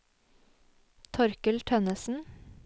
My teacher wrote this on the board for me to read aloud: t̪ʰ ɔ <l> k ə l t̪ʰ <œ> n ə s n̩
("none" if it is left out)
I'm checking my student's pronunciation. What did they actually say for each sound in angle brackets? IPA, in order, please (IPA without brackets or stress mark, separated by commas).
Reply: ɾ, œ